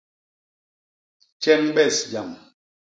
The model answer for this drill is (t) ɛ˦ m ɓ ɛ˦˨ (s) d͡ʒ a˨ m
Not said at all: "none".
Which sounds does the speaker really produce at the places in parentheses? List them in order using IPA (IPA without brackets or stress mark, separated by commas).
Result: t͡ʃ, s